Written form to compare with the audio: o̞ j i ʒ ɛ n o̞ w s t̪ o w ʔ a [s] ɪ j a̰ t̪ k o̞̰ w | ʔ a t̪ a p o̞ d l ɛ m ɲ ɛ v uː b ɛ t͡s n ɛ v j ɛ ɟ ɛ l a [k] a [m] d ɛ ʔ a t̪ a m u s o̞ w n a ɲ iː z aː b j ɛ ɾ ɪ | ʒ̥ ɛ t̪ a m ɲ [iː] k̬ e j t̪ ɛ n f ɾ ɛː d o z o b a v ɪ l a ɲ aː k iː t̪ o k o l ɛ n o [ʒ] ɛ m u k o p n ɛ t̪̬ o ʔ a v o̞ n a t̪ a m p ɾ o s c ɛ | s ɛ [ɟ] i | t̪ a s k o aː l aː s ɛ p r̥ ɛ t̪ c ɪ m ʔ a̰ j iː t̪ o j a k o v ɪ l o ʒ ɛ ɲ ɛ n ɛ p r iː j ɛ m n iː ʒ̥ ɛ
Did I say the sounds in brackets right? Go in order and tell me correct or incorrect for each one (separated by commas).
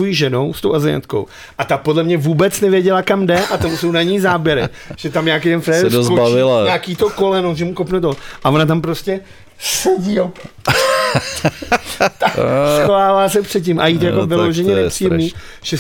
incorrect, correct, correct, incorrect, correct, correct